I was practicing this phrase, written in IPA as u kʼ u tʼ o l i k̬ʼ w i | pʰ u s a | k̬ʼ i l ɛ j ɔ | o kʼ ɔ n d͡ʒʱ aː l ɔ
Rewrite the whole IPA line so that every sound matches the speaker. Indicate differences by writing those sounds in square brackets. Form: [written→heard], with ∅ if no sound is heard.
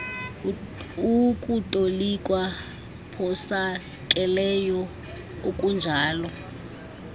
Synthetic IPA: u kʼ u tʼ o l i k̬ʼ w [i→a] | pʰ [u→ɔ] s a | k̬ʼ [i→ɛ] l ɛ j ɔ | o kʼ [ɔ→u] n d͡ʒʱ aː l ɔ